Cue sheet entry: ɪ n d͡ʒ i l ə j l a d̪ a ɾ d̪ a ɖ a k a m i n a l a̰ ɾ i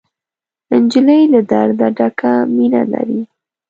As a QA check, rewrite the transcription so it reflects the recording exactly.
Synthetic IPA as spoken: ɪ n d͡ʒ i l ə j l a d̪ a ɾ d̪ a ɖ a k a m i n a l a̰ ɾ i